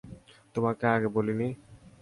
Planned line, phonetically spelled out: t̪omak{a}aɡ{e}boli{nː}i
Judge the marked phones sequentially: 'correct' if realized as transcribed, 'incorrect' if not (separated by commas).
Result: incorrect, correct, incorrect